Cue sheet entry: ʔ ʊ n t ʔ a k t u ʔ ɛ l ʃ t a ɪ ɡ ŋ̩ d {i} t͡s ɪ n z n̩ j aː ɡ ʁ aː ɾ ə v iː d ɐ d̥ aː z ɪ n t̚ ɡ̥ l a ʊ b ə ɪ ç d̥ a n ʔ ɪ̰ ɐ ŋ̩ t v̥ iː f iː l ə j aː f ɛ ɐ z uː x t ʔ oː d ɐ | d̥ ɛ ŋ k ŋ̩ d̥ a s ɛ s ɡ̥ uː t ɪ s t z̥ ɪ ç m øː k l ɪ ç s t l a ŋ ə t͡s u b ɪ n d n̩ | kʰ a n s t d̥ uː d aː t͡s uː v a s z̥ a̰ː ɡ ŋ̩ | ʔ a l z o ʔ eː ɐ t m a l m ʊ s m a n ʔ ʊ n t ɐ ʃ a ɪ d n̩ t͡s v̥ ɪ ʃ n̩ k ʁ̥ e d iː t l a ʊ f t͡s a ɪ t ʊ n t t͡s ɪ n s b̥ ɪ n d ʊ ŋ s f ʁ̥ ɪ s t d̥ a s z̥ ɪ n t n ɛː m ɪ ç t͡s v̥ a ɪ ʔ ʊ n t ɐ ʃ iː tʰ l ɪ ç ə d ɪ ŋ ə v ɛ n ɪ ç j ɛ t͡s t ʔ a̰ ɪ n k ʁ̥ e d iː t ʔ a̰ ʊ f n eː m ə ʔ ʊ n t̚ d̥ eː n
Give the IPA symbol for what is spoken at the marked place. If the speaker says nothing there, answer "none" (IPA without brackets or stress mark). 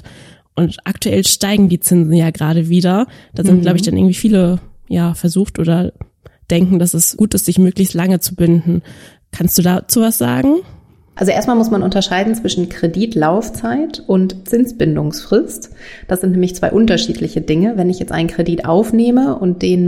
iː